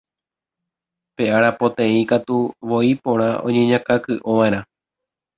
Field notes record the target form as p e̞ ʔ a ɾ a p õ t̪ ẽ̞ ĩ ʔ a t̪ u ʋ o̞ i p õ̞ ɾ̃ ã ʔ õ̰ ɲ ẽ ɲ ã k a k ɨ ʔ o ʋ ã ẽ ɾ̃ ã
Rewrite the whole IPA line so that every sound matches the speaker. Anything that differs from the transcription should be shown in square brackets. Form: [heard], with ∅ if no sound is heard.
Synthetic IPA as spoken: p e̞ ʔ a ɾ a p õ t̪ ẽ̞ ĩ [k] a t̪ u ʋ o̞ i p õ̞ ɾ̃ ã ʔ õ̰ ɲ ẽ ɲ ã k a k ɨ ʔ o ʋ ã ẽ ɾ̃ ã